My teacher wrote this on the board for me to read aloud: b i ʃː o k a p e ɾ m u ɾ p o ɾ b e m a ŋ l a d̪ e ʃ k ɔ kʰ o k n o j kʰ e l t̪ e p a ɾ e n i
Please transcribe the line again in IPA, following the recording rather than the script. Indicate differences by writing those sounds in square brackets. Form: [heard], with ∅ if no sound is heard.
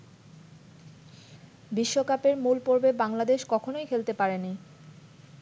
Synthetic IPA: b i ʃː o k a p e ɾ m u [l] p o ɾ b e [b] a ŋ l a d̪ e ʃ k ɔ kʰ o [∅] n o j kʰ e l t̪ e p a ɾ e n i